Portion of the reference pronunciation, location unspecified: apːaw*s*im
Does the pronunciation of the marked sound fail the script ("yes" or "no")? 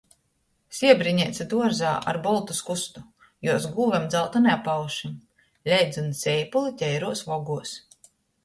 yes